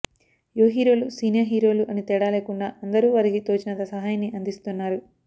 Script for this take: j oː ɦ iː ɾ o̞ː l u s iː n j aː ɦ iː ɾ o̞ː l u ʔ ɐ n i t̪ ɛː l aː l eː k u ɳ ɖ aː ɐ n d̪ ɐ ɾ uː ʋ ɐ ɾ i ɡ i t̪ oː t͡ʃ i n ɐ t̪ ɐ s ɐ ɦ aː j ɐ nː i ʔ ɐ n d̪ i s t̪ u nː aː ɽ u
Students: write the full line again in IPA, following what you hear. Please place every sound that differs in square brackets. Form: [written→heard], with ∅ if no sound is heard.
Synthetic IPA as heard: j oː ɦ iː ɾ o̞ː l u s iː n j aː ɦ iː ɾ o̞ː l u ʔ ɐ n i t̪ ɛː [l→ɽ] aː l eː k u ɳ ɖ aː ɐ n d̪ ɐ ɾ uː ʋ ɐ ɾ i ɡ i t̪ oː t͡ʃ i n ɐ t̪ ɐ s ɐ ɦ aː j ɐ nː i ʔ ɐ n d̪ i s t̪ u nː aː [ɽ→ɾ] u

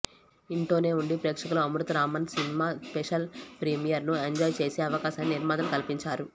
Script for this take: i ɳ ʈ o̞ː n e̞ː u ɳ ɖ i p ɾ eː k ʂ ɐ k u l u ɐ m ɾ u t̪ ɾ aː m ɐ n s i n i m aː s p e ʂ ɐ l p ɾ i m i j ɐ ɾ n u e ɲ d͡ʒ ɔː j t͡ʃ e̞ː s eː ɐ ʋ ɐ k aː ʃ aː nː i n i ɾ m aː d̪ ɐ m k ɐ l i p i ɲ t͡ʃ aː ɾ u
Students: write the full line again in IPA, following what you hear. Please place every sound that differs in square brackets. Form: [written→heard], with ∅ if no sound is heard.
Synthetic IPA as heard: i ɳ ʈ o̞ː n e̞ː u ɳ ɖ i p ɾ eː k ʂ ɐ k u l u ɐ m ɾ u t̪ ɾ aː m ɐ n s i n i m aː s p e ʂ ɐ l p ɾ i m i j ɐ ɾ n u e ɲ d͡ʒ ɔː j t͡ʃ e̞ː s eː ɐ ʋ ɐ k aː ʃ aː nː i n i ɾ m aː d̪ ɐ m k ɐ l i p i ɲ t͡ʃ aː ɾ u

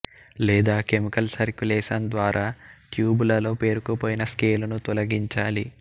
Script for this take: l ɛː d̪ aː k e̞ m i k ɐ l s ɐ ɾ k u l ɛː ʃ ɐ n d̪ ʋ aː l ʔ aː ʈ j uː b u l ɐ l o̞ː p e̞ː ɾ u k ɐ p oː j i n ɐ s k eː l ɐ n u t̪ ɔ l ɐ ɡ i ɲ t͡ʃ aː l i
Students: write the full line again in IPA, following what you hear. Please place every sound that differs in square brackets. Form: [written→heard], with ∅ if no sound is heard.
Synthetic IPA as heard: l ɛː d̪ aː k e̞ m i k ɐ l s ɐ ɾ k u l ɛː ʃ ɐ n d̪ ʋ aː [l→ɾ] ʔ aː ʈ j uː b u l ɐ l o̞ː p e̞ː ɾ u k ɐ p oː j i n ɐ s k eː l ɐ n u t̪ ɔ l ɐ ɡ i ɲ t͡ʃ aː l i

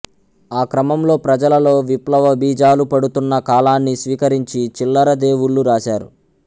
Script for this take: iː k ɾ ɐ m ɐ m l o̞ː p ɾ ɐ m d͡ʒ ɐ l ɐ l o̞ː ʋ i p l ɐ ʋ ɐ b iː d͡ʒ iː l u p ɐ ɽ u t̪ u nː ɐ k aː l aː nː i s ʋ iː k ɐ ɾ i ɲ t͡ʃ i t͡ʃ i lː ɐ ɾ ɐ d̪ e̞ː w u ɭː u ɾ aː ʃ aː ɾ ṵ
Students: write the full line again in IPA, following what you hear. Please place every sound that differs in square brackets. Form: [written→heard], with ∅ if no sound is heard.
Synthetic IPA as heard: [iː→aː] k ɾ ɐ m ɐ m l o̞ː p ɾ ɐ [m→∅] d͡ʒ ɐ l ɐ l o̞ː ʋ i p l ɐ ʋ ɐ b iː d͡ʒ [iː→aː] l u p ɐ ɽ u t̪ u nː ɐ k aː l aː nː i s ʋ iː k ɐ ɾ i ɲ t͡ʃ i t͡ʃ i lː ɐ ɾ ɐ d̪ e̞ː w u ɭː u ɾ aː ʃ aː ɾ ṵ

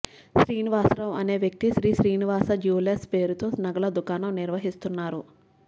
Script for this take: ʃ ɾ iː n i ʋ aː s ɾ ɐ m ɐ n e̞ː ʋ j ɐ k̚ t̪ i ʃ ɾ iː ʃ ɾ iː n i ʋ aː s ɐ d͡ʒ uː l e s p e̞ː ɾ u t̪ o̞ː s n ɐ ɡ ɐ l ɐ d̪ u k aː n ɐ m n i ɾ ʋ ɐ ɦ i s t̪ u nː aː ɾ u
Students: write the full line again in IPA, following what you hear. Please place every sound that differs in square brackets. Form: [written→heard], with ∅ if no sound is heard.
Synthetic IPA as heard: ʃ ɾ iː n i ʋ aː s ɾ ɐ m ɐ n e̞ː ʋ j ɐ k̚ t̪ i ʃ ɾ iː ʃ ɾ iː n i ʋ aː s ɐ d͡ʒ uː l e s p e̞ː ɾ u t̪ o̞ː s n ɐ ɡ ɐ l ɐ d̪ u k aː n ɐ m n i ɾ ʋ ɐ ɦ i s t̪ u nː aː ɾ u

